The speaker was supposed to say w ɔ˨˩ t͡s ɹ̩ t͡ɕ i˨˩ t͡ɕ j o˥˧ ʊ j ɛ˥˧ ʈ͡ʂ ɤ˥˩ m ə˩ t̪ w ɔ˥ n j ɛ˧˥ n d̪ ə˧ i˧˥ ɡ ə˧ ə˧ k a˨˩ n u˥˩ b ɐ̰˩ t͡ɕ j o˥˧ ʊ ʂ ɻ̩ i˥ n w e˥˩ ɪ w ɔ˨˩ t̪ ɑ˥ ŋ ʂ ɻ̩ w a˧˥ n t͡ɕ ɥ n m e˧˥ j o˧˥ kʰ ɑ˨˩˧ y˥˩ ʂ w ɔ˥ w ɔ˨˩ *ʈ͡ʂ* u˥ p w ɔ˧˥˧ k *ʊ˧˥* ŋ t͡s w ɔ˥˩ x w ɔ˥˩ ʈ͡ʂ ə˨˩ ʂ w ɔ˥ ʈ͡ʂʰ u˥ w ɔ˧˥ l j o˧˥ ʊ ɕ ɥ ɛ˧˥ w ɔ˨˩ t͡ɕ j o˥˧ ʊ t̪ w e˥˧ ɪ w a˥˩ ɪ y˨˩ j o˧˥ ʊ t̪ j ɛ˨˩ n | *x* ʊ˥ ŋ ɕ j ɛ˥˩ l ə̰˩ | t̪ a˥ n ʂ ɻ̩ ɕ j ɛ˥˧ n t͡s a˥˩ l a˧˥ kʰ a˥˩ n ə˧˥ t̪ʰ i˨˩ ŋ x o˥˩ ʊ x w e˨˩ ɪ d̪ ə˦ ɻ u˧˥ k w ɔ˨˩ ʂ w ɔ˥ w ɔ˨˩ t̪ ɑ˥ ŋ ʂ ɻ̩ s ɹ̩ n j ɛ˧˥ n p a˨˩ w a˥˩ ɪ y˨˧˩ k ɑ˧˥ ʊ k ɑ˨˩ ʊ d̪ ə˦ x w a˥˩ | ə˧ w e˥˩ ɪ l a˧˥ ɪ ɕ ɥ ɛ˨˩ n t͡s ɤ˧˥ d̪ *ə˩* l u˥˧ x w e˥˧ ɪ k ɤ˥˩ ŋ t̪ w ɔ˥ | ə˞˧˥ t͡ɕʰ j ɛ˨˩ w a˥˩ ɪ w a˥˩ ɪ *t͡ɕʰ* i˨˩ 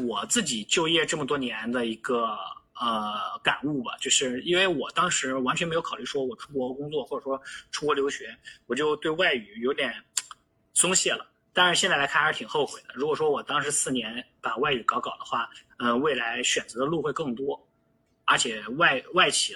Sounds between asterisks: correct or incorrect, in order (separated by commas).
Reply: incorrect, incorrect, incorrect, incorrect, correct